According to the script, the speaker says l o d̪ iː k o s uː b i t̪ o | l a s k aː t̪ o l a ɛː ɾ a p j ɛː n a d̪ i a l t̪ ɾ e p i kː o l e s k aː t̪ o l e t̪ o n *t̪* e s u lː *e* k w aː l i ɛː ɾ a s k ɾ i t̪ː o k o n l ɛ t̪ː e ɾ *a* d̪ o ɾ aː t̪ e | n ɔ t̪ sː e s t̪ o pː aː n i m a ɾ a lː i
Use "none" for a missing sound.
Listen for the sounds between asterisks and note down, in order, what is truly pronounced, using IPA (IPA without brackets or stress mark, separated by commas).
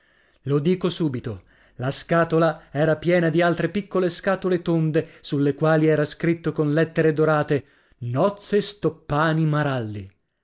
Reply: d̪, e, e